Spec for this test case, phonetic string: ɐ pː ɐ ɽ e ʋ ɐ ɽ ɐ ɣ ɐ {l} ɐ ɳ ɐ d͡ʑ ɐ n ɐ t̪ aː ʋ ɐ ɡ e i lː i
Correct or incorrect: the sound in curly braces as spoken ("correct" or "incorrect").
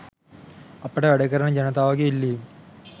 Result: incorrect